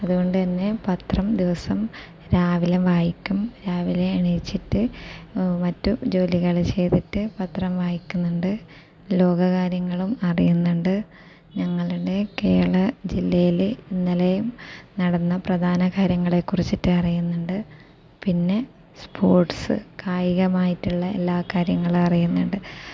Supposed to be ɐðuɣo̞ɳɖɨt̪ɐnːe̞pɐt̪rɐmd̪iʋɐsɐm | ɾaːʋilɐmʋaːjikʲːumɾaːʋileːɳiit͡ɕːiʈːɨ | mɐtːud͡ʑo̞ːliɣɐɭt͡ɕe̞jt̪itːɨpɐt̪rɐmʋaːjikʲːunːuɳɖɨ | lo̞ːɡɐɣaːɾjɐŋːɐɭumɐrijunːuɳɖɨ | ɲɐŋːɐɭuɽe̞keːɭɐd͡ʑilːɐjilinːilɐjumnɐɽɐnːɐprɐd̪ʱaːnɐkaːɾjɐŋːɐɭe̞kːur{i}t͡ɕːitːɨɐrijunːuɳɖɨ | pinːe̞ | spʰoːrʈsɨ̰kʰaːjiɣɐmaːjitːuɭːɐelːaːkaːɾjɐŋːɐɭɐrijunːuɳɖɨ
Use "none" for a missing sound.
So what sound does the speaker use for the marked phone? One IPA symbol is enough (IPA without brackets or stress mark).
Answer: i